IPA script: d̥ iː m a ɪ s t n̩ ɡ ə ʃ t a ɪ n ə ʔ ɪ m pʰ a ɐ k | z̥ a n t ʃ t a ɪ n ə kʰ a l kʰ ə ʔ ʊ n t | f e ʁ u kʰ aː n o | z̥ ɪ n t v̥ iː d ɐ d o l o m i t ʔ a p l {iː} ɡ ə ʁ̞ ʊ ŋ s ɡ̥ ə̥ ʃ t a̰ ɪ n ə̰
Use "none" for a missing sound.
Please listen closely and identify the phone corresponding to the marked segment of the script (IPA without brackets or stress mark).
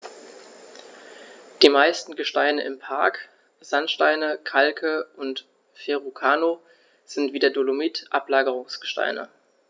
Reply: aː